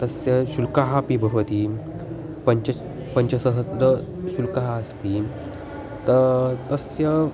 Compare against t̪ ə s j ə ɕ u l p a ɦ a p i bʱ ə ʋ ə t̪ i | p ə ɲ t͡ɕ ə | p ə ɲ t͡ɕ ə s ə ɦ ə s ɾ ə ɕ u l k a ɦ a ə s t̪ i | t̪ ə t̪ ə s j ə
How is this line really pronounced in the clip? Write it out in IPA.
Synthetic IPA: t̪ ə s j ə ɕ u l k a ɦ a p i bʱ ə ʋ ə t̪ i | p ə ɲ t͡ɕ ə | p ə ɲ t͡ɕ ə s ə ɦ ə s ɾ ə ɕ u l k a ɦ a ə s t̪ i | t̪ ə t̪ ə s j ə